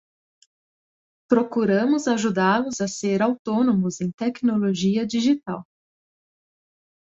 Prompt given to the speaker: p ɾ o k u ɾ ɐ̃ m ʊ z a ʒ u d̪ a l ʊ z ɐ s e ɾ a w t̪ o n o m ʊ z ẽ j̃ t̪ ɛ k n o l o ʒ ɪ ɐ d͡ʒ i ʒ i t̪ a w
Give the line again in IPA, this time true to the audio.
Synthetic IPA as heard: p ɾ o k u ɾ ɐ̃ m ʊ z a ʒ u d̪ a l ʊ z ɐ s e ɾ a w t̪ o n o m ʊ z ẽ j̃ t̪ ɛ k n o l o ʒ i ɐ d͡ʒ i ʒ i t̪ a w